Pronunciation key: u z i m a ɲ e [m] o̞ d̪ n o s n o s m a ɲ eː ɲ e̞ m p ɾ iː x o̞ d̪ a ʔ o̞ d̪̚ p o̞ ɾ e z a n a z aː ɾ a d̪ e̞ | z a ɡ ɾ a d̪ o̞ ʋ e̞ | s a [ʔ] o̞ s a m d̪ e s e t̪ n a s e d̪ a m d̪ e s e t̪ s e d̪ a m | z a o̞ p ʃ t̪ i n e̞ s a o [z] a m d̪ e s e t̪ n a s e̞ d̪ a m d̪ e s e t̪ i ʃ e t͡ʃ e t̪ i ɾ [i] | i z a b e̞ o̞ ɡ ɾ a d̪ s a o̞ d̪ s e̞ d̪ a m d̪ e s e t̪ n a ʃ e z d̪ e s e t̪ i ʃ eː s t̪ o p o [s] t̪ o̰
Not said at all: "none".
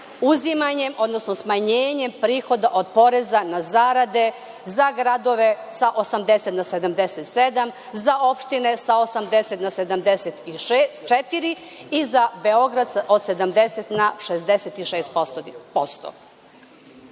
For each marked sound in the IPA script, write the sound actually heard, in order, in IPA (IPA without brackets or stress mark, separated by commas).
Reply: m, ʔ, s, i, s